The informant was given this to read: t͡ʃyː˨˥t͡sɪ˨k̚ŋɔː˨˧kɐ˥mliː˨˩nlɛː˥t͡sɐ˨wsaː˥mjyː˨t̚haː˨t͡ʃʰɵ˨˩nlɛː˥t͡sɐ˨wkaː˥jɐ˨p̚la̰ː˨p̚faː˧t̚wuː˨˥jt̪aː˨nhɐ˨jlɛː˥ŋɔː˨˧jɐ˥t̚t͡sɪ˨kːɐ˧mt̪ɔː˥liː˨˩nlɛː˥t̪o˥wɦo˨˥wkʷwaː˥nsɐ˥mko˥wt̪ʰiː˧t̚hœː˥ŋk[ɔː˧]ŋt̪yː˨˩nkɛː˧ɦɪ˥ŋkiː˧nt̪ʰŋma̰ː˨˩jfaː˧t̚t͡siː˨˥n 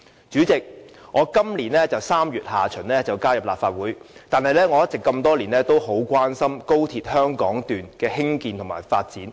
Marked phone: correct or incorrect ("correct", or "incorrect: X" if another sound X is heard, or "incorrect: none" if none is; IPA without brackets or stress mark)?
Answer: incorrect: ɔː˨˥